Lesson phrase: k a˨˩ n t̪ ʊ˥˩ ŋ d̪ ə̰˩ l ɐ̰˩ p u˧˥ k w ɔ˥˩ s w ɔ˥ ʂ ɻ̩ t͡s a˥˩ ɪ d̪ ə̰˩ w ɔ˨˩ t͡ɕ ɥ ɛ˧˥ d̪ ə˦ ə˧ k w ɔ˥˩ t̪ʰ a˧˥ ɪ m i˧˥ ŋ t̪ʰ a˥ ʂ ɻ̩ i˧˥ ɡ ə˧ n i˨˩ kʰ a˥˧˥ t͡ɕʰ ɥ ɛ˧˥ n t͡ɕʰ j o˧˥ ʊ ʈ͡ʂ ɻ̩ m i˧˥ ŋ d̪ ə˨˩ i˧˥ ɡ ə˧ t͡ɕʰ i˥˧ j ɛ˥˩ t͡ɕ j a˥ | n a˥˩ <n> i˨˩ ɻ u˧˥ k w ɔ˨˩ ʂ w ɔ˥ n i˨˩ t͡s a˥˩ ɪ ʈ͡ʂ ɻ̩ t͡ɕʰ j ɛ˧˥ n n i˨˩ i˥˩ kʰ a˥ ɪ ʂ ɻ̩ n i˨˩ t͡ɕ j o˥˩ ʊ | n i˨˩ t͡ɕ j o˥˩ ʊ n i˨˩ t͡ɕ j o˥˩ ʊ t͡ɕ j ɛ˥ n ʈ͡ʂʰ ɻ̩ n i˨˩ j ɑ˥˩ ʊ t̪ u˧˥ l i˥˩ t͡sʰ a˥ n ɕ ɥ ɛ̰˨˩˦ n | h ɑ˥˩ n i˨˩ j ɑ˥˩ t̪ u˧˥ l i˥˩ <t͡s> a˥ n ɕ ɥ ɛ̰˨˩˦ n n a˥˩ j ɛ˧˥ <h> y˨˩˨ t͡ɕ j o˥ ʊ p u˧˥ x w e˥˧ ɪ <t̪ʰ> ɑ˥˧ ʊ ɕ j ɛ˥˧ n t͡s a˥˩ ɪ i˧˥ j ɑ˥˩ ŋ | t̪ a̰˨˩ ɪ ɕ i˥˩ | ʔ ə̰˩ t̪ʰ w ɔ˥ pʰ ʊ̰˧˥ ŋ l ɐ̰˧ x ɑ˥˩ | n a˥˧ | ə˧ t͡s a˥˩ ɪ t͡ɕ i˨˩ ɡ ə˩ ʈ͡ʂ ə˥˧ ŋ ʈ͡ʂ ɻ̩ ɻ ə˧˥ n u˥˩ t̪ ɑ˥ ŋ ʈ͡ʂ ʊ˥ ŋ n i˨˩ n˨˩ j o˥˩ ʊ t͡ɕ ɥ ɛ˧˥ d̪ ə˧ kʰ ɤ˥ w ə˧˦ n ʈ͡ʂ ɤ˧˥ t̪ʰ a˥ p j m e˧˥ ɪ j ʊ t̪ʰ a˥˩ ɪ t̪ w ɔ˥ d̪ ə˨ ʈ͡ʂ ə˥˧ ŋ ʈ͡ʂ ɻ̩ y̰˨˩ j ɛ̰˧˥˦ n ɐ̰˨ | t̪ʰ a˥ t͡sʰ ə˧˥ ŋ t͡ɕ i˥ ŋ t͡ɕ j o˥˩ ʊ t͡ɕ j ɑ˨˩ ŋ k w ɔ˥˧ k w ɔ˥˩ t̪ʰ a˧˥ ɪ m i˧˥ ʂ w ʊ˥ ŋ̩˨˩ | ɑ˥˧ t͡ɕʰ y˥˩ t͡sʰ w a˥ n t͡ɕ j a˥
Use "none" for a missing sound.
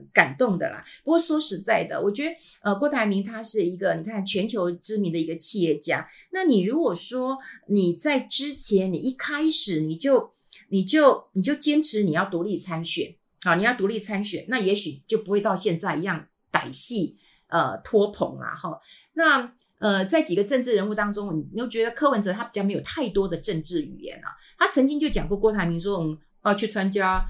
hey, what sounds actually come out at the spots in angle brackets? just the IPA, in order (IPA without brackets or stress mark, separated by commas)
n, t͡sʰ, ɕ, t̪